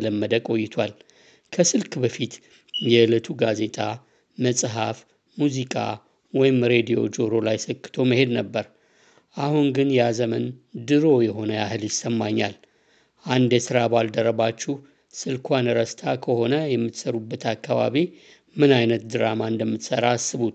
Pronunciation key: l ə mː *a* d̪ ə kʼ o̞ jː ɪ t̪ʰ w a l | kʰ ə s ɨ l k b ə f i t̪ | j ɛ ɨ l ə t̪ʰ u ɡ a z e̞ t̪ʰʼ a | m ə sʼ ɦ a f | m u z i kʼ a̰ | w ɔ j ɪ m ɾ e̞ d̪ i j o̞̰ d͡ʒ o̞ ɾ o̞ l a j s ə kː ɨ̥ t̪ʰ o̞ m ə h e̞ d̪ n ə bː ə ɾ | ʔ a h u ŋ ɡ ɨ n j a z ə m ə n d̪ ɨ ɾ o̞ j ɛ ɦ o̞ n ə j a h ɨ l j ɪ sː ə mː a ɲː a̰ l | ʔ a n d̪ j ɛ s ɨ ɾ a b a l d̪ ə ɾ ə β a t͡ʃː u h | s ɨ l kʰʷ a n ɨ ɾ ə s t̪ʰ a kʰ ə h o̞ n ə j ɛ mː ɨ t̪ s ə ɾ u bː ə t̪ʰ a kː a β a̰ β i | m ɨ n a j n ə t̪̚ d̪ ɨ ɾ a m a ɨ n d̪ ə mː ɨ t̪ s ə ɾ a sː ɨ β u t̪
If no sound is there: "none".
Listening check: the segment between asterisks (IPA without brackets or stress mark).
ə